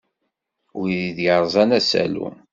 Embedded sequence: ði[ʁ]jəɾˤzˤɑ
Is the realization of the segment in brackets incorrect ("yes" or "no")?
yes